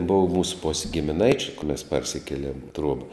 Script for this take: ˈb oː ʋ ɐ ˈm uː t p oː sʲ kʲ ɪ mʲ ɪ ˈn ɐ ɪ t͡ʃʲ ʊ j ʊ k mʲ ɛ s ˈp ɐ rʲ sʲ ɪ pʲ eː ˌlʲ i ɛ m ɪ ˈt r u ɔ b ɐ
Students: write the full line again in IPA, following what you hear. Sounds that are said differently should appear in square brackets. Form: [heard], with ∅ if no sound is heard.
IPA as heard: ˈb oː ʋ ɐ ˈm uː [s] p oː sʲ [ɡʲ] ɪ mʲ ɪ ˈn ɐ ɪ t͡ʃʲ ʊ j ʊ k mʲ ɛ s ˈp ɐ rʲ sʲ ɪ [kʲ] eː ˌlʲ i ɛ m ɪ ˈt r u ɔ b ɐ